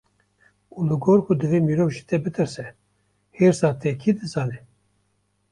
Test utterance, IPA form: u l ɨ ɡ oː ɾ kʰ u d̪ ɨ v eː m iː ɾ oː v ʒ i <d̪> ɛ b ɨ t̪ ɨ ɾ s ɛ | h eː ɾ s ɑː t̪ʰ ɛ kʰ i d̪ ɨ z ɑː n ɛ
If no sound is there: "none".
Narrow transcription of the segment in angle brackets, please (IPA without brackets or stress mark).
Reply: t̪